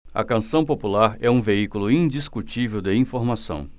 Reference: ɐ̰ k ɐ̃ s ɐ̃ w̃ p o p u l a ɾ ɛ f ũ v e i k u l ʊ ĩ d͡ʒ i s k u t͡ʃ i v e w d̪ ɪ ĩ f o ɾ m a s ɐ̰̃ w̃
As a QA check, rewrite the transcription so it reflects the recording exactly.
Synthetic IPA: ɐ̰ k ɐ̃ s ɐ̃ w̃ p o p u l a ɾ ɛ ũ v e i k u l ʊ ĩ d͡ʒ i s k u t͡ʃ i v e w d̪ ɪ ĩ f o ɾ m a s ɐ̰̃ w̃